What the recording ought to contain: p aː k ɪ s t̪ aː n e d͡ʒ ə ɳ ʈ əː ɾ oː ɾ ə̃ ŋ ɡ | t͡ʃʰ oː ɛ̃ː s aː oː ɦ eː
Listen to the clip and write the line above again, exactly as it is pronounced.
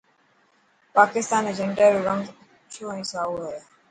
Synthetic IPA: p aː k ɪ s t̪ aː n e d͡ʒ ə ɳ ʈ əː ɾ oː ɾ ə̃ ŋ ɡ | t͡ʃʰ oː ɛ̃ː s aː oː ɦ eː